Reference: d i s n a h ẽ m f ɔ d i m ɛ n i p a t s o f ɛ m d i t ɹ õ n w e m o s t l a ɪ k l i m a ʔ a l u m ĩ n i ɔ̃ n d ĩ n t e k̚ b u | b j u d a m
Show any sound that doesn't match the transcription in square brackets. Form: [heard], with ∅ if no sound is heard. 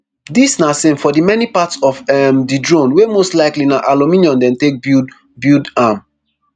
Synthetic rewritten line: d i s n a [s] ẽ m f ɔ d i m ɛ n i p a t s [ɔ] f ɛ m d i [d] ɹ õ n w e m o s t l a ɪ k l i [n] a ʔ a l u m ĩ n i ɔ̃ n d [ɛ̃] n t e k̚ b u | b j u d a m